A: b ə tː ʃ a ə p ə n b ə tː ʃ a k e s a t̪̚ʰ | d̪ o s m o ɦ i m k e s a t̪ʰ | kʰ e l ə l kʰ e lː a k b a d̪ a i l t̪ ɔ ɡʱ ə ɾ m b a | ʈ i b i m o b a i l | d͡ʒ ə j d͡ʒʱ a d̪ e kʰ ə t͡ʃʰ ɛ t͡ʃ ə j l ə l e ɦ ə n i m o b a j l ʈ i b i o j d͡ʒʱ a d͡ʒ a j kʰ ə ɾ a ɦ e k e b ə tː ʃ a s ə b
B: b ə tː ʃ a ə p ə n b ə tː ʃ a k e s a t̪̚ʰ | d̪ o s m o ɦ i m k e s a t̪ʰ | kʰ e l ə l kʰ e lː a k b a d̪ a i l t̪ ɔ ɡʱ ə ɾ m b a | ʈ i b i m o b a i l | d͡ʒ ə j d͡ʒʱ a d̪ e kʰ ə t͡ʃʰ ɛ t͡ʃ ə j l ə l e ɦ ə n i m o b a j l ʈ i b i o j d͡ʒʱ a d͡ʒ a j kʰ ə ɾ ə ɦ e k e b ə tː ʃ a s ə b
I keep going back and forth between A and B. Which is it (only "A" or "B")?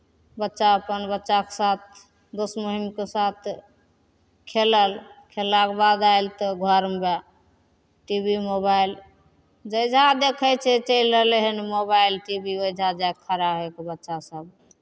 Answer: A